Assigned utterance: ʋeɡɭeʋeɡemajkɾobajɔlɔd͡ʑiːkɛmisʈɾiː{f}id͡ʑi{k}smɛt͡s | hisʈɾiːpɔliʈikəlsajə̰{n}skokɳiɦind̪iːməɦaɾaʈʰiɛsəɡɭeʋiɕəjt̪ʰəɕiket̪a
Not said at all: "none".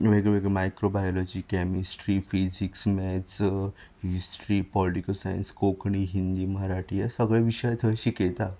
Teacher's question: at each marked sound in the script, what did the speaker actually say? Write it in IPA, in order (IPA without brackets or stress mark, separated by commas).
f, k, n